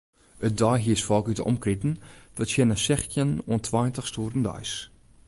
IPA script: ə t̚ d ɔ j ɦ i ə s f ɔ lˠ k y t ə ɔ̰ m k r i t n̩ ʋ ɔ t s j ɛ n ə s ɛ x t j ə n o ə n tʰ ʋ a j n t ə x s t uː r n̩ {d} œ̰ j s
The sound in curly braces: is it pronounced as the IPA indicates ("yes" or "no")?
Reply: yes